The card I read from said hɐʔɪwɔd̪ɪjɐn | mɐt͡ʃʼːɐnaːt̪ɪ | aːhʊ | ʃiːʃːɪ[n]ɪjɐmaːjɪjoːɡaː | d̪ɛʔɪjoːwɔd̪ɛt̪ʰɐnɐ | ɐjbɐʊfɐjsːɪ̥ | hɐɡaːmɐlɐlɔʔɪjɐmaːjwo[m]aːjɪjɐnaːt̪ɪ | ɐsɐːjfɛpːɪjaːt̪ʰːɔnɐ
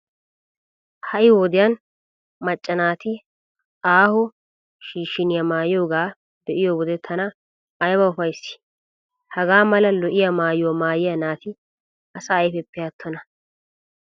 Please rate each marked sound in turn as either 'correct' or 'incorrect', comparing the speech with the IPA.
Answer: correct, correct

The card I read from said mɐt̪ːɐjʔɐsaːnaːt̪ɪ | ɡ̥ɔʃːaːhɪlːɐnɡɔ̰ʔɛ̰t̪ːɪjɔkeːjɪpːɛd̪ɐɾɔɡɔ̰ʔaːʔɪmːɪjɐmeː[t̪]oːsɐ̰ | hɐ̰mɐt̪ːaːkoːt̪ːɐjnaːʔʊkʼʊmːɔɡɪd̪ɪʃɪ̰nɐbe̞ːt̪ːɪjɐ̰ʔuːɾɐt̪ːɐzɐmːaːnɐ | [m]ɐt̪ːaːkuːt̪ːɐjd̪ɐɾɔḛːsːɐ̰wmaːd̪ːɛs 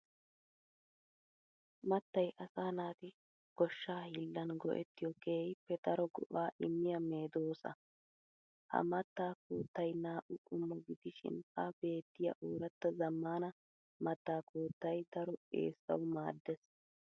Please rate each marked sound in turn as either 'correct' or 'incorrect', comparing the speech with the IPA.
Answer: incorrect: d̪, correct

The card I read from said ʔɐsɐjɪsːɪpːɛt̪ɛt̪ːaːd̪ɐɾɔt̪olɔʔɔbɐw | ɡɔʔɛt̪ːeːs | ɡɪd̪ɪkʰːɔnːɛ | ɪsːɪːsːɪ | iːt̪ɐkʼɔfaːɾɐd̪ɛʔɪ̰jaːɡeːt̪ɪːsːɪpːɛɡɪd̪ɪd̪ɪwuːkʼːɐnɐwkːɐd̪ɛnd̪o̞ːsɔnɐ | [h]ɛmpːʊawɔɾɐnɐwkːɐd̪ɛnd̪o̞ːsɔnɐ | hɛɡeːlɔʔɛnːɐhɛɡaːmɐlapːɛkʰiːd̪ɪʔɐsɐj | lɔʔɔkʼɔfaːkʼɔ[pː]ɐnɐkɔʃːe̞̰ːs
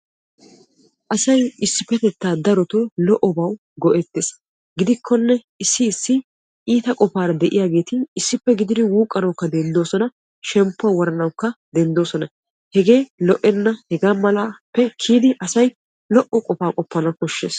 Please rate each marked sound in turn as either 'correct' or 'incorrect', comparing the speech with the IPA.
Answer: incorrect: ʃ, correct

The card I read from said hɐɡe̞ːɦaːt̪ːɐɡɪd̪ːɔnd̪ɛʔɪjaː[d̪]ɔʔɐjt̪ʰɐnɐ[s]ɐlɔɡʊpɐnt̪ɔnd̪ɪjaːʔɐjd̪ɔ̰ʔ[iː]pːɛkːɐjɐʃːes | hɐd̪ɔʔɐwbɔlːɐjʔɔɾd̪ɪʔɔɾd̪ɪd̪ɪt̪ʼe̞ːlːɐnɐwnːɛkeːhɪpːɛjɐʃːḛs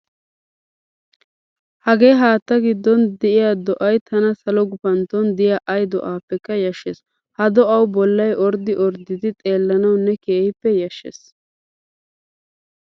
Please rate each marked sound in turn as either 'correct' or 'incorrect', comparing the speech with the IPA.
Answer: correct, correct, incorrect: aː

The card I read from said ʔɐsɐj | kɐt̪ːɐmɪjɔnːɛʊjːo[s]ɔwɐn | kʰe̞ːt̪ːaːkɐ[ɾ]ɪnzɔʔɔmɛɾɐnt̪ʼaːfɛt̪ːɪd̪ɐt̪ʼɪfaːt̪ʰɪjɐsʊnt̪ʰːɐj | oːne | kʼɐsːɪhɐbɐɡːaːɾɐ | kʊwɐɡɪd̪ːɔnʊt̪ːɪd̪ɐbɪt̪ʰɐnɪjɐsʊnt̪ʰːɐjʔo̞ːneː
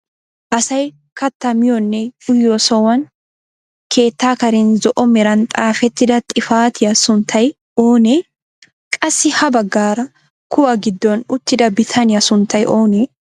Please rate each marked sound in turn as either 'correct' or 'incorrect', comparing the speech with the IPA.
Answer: correct, correct

